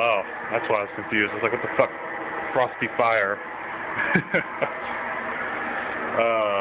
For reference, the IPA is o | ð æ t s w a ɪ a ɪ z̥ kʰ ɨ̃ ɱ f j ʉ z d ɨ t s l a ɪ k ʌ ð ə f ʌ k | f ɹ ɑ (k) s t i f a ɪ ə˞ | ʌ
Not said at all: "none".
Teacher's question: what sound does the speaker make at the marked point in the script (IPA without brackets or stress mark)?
none